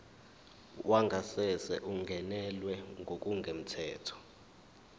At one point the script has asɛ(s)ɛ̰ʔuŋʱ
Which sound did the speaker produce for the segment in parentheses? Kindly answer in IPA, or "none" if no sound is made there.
s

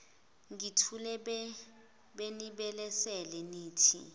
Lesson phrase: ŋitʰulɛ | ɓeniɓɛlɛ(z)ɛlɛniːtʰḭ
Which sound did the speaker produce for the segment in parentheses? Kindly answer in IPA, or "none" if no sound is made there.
s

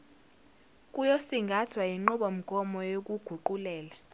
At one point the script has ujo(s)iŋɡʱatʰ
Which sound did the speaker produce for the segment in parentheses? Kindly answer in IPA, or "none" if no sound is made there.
s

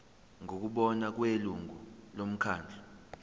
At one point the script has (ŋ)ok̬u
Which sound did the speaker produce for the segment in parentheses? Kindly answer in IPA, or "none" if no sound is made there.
ŋ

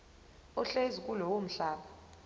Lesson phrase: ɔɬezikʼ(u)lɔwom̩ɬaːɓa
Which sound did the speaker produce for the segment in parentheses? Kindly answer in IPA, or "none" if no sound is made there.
u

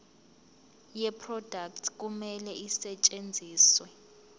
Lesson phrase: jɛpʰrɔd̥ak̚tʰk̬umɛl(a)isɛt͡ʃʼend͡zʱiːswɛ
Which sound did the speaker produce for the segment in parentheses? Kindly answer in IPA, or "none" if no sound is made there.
ɛ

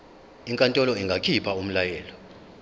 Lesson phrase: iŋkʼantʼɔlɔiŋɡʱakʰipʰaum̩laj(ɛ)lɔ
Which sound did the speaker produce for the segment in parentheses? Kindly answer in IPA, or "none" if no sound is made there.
ɛː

